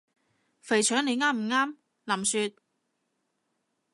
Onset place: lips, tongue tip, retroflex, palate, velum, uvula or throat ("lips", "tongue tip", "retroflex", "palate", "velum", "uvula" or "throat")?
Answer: lips